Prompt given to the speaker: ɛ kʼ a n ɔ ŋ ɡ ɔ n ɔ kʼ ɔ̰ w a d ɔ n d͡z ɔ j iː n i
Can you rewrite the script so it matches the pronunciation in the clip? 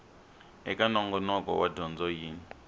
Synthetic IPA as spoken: ɛ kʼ a n ɔ ŋ ɡ ɔ n ɔ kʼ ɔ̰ w a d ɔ n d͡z ɔ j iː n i